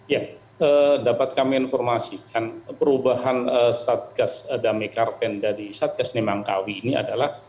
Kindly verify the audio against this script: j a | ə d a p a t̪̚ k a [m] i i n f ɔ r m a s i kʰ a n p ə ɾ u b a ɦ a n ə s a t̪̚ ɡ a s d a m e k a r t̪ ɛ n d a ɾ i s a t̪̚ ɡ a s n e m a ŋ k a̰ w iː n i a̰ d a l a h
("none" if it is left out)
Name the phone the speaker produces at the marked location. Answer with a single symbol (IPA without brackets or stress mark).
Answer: m